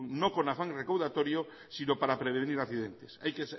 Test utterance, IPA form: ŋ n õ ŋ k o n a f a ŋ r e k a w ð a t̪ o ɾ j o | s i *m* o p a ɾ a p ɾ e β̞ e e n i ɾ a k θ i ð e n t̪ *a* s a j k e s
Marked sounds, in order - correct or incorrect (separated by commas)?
incorrect, incorrect